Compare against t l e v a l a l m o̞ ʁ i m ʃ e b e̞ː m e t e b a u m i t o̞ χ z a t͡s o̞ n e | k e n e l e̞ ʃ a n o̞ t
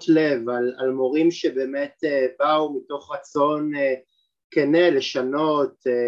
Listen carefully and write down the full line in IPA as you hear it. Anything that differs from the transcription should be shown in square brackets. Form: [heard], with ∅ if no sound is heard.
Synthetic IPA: t l e v a l a l m o̞ ʁ i m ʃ e b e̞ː m e t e b a u m i t o̞ χ [ʁ] a t͡s o̞ n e | k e n e l e̞ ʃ a n o̞ t